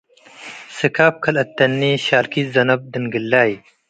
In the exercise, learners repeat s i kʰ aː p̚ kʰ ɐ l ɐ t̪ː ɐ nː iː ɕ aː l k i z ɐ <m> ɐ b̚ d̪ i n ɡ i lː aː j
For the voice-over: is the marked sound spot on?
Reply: no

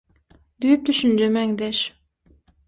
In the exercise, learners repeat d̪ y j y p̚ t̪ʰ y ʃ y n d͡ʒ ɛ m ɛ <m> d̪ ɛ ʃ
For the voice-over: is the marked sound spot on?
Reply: no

